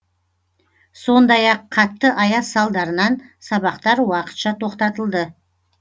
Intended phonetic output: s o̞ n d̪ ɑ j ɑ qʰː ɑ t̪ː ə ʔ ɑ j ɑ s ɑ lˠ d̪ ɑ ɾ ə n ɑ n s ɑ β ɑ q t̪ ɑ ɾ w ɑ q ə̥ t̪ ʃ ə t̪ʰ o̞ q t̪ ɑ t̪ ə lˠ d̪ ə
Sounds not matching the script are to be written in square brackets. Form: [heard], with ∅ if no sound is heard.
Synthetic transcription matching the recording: s o̞ n d̪ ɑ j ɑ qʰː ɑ t̪ː ə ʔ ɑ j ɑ s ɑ lˠ d̪ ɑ ɾ ə n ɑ n s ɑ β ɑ q t̪ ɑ ɾ w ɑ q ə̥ t̪ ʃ [ɑ] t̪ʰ o̞ q t̪ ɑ t̪ ə lˠ d̪ ə